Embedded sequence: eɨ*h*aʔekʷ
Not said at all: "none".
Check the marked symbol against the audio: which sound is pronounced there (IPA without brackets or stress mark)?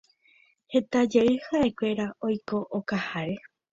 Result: h